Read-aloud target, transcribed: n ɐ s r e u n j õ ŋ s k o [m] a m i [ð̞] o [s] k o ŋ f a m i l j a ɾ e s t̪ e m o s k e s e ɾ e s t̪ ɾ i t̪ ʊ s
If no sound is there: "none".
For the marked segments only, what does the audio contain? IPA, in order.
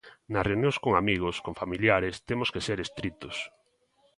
ŋ, ɣ̞, s

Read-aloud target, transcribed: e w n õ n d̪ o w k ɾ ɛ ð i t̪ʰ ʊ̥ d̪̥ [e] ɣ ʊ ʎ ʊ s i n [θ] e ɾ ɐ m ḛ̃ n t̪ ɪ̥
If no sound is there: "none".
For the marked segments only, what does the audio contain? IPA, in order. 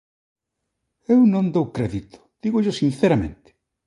i, θ

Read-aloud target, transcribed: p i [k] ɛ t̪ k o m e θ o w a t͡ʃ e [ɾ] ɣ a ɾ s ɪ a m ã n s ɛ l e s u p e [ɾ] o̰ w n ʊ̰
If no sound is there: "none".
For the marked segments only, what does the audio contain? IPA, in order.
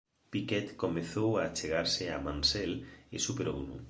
k, none, ɾ

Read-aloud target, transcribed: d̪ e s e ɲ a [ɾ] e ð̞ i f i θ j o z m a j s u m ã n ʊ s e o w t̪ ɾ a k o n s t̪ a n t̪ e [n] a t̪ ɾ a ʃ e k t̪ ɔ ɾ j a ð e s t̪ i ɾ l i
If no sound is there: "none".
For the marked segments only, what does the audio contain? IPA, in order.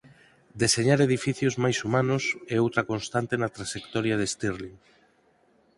ɾ, n

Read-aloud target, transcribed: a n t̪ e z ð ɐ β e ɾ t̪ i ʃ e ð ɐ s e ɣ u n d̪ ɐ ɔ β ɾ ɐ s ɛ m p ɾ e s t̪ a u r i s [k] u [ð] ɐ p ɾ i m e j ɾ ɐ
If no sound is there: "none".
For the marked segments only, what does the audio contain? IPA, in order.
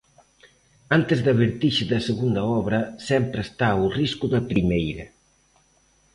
k, ð

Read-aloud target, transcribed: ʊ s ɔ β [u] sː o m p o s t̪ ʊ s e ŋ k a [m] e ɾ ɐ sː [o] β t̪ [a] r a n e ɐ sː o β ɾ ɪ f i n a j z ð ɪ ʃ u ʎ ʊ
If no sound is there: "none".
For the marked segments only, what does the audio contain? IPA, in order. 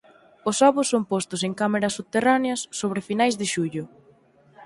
ʊ, m, u, e

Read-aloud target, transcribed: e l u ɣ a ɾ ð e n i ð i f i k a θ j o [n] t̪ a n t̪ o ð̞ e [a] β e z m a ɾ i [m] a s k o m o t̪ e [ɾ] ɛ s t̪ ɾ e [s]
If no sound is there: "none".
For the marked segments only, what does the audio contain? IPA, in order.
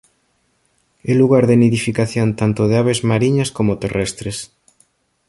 n, a, ɲ, r, s

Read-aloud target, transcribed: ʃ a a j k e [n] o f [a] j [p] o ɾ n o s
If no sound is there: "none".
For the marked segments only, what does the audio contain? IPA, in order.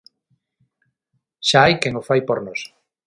ŋ, a, p

